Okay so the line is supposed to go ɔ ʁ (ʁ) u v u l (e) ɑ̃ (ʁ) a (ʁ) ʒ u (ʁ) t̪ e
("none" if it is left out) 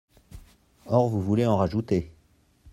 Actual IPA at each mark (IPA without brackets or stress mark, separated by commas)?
v, e, ʁ, none, none